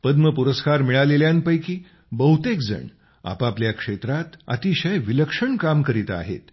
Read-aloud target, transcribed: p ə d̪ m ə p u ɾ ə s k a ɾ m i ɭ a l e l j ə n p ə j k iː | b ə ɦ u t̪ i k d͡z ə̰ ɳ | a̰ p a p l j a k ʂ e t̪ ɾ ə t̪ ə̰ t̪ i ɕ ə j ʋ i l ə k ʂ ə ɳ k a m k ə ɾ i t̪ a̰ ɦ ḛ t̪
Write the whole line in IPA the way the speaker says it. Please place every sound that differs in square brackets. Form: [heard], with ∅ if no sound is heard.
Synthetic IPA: p ə d̪ m ə p u ɾ ə s k a ɾ m i ɭ a l e l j [a] n p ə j k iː | b ə ɦ u t̪ [e] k d͡z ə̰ ɳ | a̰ p a p l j a k ʂ e t̪ ɾ [a] t̪ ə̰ t̪ i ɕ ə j ʋ i l ə k ʂ ə ɳ k a m k ə ɾ i t̪ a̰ ɦ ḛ t̪